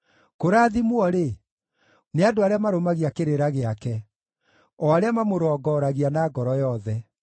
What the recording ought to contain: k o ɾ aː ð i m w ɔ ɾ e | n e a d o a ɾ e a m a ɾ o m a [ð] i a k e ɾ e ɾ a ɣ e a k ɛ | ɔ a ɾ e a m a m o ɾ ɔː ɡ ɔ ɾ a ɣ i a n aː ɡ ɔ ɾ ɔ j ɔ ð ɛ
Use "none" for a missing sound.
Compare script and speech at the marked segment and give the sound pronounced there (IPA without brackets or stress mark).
ɣ